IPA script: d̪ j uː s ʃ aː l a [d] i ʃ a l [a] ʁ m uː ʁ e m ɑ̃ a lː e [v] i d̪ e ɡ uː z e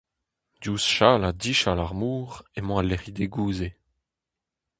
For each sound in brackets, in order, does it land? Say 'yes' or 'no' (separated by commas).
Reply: yes, yes, no